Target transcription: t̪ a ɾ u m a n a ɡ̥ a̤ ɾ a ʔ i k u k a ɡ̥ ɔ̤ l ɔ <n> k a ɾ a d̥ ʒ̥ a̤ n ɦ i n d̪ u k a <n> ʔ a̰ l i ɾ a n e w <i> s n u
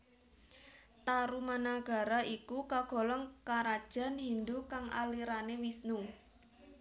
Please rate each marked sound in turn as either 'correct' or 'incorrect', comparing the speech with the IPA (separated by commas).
incorrect, incorrect, correct